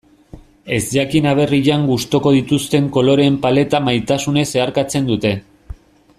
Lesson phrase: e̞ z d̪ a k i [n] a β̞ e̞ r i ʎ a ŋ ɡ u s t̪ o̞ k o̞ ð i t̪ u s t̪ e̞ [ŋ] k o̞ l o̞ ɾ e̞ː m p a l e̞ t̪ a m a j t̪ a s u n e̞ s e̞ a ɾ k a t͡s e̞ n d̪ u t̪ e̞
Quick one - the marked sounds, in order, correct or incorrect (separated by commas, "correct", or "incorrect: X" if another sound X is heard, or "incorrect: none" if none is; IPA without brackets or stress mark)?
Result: correct, correct